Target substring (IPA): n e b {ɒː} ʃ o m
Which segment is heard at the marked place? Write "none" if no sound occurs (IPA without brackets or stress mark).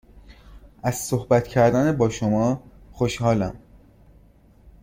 ɒː